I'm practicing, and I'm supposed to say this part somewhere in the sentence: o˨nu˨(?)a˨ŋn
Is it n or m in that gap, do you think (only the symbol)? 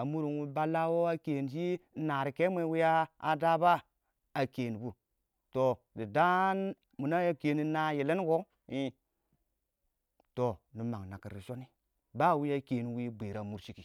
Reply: m